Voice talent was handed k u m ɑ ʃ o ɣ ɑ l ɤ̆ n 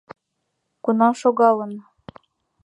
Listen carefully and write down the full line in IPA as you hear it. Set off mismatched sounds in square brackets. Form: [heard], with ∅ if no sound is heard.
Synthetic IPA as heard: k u [n] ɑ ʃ o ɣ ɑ l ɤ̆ n